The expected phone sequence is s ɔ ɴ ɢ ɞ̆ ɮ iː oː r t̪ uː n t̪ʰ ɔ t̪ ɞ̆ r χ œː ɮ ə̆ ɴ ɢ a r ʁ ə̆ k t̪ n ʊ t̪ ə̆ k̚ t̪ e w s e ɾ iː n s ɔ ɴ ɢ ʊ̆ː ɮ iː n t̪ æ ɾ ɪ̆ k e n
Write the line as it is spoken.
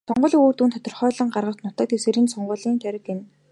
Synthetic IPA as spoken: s ɔ ɴ ɢ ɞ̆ ɮ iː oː r t̪ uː n t̪ʰ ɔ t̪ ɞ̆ r χ œː ɮ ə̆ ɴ ɢ a r ʁ ə̆ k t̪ n ʊ t̪ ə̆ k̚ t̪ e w s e ɾ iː n s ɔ ɴ ɢ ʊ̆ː ɮ iː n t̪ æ ɾ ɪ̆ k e n